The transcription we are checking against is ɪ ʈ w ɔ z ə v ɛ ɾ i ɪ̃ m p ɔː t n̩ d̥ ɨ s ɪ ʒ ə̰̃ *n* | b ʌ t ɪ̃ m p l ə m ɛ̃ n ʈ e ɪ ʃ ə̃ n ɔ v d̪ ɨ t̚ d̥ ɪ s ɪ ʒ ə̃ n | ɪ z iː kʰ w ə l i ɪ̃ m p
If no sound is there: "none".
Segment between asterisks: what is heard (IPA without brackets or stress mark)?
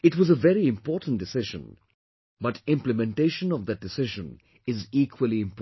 n